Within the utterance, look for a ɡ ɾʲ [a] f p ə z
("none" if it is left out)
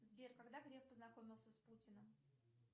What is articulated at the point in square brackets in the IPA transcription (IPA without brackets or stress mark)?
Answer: e